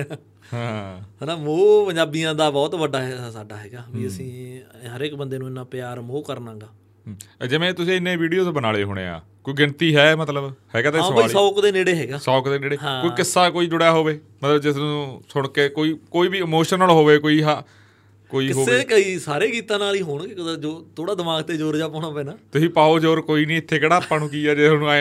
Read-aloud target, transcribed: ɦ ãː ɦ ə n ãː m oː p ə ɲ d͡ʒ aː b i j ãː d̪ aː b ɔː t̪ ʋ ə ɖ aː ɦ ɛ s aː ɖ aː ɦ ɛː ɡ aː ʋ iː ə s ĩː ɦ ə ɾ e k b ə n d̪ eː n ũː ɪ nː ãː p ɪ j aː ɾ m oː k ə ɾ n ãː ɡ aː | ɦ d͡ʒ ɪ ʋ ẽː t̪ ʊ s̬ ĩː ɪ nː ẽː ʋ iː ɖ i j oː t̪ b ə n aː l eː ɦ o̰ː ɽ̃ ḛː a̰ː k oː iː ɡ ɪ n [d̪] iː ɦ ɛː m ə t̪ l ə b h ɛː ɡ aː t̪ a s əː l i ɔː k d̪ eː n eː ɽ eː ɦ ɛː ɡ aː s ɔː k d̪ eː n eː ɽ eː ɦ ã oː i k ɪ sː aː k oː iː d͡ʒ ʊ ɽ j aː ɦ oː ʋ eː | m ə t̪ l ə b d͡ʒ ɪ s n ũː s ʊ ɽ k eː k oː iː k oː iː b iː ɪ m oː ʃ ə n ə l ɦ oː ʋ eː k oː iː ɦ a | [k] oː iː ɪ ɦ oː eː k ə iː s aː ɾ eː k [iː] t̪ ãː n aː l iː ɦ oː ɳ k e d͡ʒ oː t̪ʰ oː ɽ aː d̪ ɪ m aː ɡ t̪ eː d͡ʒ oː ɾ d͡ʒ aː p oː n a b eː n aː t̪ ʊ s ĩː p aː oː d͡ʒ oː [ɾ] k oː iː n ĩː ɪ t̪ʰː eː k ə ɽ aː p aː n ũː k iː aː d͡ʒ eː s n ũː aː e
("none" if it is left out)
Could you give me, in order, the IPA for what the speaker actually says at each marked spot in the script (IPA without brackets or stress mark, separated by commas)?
t̪, k, iː, ɾ